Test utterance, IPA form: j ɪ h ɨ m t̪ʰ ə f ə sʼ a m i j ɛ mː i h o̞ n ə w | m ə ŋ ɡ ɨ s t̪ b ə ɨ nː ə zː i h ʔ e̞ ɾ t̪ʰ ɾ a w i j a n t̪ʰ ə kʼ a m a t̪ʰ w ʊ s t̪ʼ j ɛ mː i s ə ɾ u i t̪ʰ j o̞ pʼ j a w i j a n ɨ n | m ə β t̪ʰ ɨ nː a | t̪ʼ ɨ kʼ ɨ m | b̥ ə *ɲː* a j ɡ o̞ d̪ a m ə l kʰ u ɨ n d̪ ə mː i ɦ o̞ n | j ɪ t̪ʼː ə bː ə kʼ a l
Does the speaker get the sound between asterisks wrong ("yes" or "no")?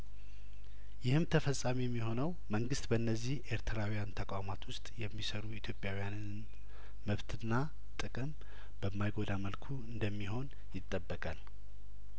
yes